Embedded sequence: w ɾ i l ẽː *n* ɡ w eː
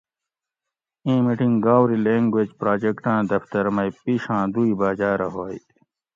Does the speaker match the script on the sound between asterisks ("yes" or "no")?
no